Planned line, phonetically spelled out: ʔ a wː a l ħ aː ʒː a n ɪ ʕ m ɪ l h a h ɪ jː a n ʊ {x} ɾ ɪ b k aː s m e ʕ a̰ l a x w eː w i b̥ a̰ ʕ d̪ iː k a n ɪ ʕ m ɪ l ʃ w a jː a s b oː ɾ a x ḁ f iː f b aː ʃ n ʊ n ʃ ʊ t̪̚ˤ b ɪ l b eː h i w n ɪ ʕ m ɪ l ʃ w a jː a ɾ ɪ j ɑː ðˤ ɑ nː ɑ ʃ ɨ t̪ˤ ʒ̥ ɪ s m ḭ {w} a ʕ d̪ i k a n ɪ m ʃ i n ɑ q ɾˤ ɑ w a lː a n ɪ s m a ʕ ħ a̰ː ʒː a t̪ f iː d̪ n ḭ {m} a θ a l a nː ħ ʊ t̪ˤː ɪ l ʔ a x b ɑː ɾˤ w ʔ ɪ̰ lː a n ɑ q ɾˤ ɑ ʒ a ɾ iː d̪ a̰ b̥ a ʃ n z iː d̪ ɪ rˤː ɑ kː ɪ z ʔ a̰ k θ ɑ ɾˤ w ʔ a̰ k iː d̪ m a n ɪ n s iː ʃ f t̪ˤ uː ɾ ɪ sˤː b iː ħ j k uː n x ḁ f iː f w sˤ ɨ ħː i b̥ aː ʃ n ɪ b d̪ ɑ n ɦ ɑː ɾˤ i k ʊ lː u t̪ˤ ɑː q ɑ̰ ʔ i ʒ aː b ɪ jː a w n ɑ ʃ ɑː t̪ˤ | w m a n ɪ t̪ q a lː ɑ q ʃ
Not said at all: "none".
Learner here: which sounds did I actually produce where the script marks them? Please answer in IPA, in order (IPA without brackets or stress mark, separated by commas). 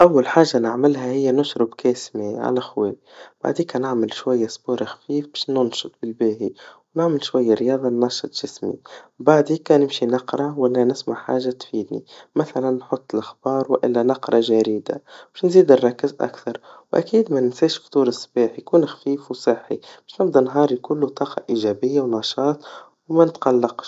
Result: ʃ, b, m